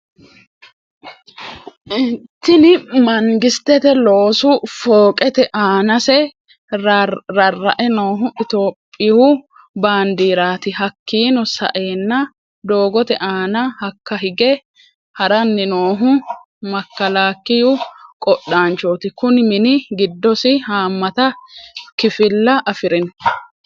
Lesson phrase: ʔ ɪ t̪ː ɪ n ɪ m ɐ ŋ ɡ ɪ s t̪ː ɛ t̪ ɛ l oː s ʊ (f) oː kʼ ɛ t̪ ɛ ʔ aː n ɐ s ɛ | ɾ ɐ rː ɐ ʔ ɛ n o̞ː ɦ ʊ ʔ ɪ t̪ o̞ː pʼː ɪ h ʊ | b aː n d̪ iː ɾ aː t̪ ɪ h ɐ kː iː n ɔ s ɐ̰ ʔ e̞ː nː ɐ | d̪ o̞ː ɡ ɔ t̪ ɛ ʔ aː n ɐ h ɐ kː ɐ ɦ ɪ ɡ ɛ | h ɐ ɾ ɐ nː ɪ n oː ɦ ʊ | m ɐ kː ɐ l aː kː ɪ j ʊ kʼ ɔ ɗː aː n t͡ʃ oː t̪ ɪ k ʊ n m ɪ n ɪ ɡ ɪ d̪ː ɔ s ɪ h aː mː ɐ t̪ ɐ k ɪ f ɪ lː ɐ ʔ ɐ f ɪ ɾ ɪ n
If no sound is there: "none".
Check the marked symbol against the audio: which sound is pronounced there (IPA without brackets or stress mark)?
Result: f